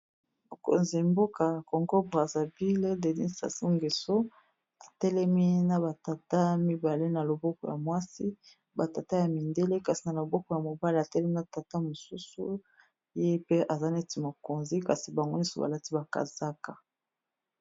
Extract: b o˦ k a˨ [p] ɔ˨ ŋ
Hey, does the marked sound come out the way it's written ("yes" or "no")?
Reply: no